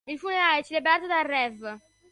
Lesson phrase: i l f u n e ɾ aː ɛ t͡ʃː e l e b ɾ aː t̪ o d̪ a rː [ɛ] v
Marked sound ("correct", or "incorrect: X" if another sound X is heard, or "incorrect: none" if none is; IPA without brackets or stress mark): correct